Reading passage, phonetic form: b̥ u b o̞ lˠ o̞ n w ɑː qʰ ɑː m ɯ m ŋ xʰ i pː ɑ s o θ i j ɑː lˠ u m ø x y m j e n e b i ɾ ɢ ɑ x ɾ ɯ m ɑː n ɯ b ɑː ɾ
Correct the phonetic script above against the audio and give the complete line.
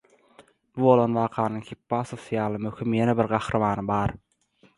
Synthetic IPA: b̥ u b o̞ lˠ o̞ n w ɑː qʰ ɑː n ɯ ŋ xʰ i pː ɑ s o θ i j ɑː lˠ ɯ m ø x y m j e n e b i ɾ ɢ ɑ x ɾ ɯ m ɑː n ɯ b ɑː ɾ